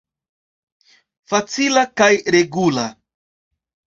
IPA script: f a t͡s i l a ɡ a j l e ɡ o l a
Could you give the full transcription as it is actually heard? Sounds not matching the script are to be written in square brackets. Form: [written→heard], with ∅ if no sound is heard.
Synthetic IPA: f a t͡s i l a [ɡ→k] a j [l→ɾ] e ɡ [o→u] l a